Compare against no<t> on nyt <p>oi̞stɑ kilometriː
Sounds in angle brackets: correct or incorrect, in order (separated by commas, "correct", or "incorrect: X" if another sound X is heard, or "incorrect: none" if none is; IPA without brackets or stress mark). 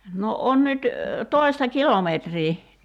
incorrect: none, incorrect: t